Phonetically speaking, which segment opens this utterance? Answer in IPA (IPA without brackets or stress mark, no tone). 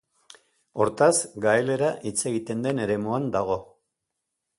o̞